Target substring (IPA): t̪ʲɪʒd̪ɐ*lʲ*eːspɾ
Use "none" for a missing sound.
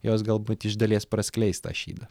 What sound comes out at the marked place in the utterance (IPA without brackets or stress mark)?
lʲ